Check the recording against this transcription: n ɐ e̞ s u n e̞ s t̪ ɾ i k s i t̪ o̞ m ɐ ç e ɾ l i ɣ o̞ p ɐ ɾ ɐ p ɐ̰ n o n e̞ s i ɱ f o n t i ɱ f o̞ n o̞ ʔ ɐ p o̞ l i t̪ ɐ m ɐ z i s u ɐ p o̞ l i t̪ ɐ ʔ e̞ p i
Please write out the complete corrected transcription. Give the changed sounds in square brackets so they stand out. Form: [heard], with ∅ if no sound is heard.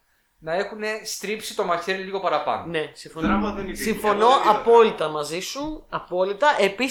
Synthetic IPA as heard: n ɐ e̞ [x] u n e̞ s t̪ ɾ i [p] s i t̪ o̞ m ɐ ç e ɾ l i ɣ o̞ p ɐ ɾ ɐ p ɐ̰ n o n e̞ s i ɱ f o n [s] i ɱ f o̞ n o̞ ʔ ɐ p o̞ l i t̪ ɐ m ɐ z i s u ɐ p o̞ l i t̪ ɐ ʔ e̞ p i